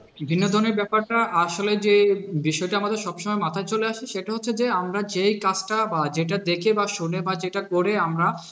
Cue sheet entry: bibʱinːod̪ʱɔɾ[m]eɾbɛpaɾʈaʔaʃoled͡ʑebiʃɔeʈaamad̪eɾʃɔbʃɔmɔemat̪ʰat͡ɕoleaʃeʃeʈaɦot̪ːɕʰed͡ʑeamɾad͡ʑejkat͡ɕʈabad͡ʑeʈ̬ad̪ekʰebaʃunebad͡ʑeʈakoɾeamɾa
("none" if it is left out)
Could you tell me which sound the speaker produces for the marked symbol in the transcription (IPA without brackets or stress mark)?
n